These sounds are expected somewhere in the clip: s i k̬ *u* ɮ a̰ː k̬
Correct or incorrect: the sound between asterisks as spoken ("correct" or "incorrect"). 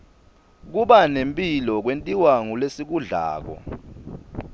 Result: correct